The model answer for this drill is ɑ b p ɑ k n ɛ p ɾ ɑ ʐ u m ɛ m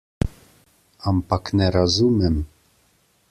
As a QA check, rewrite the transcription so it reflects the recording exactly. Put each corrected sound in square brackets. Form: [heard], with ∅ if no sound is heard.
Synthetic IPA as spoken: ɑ [m] p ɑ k n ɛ [∅] ɾ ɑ [z] u m ɛ m